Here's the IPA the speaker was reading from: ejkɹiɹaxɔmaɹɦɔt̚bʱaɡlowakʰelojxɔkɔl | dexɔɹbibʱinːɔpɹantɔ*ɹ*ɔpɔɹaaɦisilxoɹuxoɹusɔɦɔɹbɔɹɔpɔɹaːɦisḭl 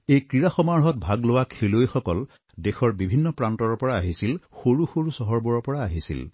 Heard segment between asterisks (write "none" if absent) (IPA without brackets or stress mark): ɹ